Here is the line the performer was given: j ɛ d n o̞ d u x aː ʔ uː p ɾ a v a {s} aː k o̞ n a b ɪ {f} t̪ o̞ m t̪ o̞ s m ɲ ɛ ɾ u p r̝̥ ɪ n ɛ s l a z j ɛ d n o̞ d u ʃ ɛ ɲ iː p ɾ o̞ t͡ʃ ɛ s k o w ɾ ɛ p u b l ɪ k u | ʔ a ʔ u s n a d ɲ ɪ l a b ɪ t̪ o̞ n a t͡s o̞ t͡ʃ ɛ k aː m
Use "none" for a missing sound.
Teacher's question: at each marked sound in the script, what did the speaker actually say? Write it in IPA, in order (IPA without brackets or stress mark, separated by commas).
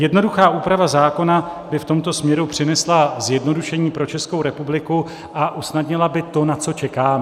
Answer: z, f